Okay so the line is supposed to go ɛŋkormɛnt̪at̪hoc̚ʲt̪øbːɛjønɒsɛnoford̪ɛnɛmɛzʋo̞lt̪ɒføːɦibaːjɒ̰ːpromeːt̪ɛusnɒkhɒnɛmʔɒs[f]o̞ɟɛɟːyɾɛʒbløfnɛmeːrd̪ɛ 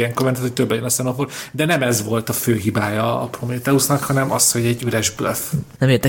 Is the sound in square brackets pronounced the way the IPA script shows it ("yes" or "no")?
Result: no